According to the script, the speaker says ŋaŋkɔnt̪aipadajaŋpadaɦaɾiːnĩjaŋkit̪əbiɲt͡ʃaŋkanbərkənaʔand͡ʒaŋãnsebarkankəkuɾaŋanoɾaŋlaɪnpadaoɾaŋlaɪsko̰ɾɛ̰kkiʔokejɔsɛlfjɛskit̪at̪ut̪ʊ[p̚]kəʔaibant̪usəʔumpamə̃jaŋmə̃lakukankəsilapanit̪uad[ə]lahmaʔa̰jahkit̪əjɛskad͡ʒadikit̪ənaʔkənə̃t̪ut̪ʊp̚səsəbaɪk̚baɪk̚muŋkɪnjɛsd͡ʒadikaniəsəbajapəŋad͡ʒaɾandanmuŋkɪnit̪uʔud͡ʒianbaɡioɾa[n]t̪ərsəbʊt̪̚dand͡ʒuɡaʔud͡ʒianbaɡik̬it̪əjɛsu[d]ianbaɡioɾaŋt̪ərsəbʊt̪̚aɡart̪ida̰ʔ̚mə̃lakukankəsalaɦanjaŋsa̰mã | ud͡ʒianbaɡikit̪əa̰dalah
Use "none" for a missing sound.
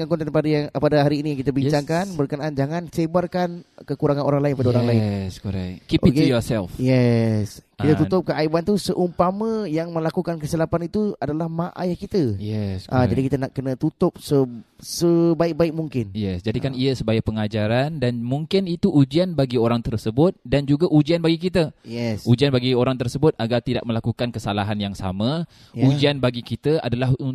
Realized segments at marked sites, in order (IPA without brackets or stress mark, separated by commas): p̚, a, ŋ, d͡ʒ